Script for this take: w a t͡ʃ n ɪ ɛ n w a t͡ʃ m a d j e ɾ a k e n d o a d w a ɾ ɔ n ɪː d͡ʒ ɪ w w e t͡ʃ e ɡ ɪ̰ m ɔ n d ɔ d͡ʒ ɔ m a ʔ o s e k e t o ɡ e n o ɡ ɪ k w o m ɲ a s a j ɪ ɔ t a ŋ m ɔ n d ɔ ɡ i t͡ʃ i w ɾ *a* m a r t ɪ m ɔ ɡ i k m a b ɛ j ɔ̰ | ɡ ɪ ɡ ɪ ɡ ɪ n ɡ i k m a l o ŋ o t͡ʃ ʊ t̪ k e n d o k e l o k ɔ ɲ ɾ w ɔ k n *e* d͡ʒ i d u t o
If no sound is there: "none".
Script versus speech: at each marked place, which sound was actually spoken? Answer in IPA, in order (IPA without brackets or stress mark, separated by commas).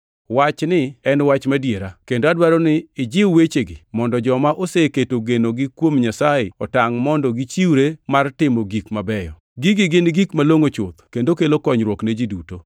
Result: e, e